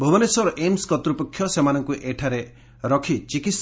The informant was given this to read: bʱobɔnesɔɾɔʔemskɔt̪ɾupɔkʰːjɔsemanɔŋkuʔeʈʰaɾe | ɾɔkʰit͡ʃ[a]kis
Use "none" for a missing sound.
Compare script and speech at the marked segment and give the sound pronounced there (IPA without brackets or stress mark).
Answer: i